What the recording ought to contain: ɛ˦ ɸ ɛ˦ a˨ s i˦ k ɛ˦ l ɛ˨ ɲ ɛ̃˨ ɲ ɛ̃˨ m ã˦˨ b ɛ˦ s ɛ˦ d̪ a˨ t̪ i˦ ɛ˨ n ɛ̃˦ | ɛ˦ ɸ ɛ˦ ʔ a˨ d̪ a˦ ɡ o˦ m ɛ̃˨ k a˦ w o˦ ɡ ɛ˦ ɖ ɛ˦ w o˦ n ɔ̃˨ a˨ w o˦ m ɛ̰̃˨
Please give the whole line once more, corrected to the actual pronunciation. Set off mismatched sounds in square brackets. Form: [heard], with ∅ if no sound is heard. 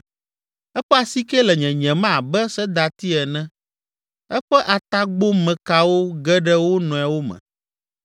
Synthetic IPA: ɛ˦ ɸ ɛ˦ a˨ s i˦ k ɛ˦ l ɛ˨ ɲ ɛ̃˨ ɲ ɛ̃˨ m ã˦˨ b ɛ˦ s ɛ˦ d̪ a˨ t̪ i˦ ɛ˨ n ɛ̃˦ | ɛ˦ ɸ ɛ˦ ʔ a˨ [t̪] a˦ [ɡ͡b] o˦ m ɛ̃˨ k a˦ w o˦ ɡ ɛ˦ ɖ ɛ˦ w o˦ n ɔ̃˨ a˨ w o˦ m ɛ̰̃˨